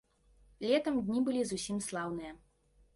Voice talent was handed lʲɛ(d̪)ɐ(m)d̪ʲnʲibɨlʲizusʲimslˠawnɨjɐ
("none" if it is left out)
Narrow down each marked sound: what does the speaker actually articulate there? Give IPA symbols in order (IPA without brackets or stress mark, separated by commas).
t̪, m